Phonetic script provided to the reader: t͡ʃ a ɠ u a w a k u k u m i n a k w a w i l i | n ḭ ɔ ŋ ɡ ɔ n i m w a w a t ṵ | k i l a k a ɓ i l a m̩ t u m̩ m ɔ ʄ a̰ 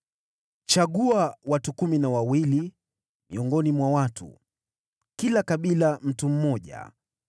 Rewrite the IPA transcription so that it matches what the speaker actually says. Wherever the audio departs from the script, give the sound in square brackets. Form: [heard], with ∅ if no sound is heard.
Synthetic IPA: t͡ʃ a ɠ u a w a [t] u k u m i n a [∅] w a w i l i | [m] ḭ ɔ ŋ ɡ ɔ n i m w a w a t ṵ | k i l a k a ɓ i l a m̩ t u m̩ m ɔ ʄ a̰